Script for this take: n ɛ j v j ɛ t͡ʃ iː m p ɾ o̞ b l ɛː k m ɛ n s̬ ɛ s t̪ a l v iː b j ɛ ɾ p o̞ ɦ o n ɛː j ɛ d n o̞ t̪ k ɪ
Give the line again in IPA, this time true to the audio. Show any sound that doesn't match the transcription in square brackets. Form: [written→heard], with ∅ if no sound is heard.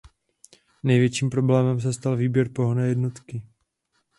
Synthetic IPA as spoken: n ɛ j v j ɛ t͡ʃ iː m p ɾ o̞ b l ɛː [k→∅] m ɛ [n→m] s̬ ɛ s t̪ a l v iː b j ɛ ɾ p o̞ ɦ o n ɛː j ɛ d n o̞ t̪ k ɪ